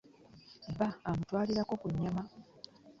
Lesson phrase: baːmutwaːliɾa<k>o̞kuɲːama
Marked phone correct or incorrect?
correct